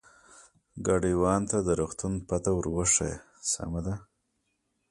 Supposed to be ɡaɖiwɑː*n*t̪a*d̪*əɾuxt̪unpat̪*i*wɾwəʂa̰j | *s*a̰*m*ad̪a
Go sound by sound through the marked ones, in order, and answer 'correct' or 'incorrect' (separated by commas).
correct, correct, incorrect, correct, correct